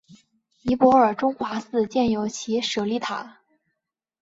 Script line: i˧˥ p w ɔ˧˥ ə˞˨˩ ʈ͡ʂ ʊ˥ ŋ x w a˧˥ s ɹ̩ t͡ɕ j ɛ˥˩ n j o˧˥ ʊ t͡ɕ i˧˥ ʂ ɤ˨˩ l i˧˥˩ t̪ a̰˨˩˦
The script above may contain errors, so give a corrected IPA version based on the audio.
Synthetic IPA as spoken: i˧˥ p w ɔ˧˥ ə˞˨˩ ʈ͡ʂ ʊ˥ ŋ x w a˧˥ s ɹ̩ t͡ɕ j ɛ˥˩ n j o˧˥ ʊ t͡ɕʰ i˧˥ ʂ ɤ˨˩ l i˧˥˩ t̪ʰ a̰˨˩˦

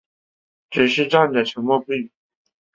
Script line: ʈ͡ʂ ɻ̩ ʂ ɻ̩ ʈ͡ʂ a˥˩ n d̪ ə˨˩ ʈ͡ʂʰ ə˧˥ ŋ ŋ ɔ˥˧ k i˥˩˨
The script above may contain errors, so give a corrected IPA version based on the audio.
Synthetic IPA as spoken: ʈ͡ʂ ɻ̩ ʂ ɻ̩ ʈ͡ʂ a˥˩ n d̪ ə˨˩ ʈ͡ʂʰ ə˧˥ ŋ m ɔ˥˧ p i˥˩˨

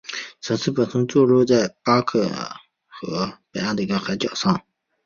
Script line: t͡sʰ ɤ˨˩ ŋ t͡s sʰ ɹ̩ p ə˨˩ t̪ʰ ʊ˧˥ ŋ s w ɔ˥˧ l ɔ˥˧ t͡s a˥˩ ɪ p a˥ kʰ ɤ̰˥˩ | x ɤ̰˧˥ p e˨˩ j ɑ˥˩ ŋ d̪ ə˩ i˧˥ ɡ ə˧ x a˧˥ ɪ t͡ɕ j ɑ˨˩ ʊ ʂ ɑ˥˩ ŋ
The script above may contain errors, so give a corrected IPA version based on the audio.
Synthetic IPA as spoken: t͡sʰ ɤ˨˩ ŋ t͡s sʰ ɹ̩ p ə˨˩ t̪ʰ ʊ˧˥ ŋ t͡s w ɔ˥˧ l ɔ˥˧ t͡s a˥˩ ɪ p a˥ kʰ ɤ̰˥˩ | x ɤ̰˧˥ p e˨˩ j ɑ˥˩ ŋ d̪ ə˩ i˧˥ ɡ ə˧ x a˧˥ ɪ t͡ɕ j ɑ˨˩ ʊ ʂ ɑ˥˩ ŋ

